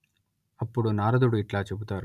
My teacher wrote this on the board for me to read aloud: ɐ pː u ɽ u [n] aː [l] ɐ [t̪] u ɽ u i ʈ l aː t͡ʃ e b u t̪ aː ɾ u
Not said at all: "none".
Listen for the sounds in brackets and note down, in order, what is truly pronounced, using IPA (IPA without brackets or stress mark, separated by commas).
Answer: n, ɾ, d̪